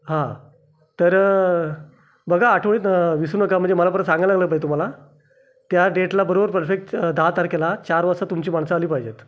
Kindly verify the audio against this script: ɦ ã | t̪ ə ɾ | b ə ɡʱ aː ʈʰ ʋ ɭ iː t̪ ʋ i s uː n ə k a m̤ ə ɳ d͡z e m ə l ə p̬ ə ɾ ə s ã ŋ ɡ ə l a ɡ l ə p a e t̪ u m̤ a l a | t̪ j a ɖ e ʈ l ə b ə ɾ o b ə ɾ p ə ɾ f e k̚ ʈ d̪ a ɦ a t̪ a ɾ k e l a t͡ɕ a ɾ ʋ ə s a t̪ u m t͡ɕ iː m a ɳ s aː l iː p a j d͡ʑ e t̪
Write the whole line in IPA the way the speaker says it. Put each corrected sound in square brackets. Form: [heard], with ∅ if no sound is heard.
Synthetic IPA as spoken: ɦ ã | t̪ ə ɾ | b ə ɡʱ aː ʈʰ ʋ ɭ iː t̪ ʋ i s uː n ə k a m̤ ə ɳ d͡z e m ə l [a] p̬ ə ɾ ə s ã ŋ ɡ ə l a ɡ l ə p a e t̪ u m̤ a l a | t̪ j a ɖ e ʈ l [a] b ə ɾ o b ə ɾ p ə ɾ f e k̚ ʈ d̪ a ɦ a t̪ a ɾ k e l a t͡ɕ a ɾ ʋ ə s a t̪ u m t͡ɕ iː m a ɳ s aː l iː p a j d͡ʑ e t̪